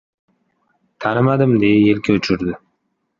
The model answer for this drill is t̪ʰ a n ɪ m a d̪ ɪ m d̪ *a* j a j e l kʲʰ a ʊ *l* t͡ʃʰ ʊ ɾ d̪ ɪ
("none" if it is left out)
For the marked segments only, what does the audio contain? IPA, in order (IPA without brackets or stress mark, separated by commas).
e, none